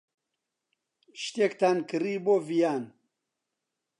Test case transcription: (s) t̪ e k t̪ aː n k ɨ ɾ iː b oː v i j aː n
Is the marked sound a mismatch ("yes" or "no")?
yes